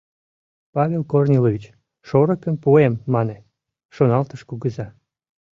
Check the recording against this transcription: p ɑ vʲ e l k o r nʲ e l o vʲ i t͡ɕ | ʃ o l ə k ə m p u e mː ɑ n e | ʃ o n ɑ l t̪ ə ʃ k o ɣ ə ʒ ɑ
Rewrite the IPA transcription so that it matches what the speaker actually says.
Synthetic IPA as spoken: p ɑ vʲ e l k o r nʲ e l o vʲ i t͡ɕ | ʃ o ɾ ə k ə m p u e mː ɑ n e | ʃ o n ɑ l t̪ ə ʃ k u ɣ ə z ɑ